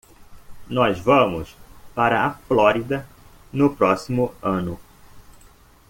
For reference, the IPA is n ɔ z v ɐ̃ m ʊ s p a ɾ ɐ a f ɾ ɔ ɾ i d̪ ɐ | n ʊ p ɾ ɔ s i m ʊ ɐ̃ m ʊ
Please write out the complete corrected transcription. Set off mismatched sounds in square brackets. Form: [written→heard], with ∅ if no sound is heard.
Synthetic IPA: n ɔ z v ɐ̃ m ʊ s p a ɾ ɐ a f [ɾ→l] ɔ ɾ i d̪ ɐ | n ʊ p ɾ ɔ s i m ʊ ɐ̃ [m→n] ʊ